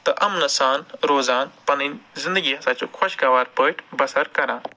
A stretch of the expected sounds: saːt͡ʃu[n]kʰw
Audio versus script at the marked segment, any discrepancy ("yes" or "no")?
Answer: yes